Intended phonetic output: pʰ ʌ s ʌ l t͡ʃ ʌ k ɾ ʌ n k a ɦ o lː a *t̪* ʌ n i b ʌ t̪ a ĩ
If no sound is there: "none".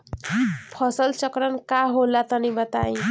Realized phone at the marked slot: t̪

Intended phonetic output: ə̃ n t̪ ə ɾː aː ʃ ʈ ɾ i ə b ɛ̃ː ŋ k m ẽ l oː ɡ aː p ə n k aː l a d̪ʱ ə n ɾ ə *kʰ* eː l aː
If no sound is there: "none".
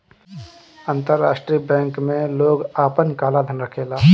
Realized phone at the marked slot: kʰ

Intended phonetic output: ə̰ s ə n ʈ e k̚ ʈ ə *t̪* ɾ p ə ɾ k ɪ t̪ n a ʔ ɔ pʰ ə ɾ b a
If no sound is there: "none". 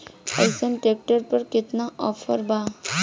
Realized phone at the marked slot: none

